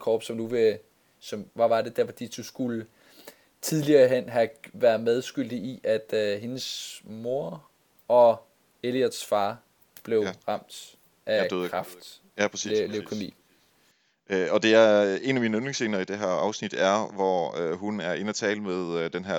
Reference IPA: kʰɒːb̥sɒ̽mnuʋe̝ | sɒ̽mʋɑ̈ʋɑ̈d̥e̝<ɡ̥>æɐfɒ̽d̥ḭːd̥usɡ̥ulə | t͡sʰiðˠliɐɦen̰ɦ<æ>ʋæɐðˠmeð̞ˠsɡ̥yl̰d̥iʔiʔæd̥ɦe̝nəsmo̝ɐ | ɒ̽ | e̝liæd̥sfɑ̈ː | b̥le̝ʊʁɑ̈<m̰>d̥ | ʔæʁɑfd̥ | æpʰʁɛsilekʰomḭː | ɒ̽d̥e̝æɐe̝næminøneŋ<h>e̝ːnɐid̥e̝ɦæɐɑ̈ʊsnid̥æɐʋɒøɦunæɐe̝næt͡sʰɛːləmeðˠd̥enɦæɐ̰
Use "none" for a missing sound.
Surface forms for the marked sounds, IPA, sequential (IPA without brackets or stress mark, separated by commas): d̥, æ, m̰, s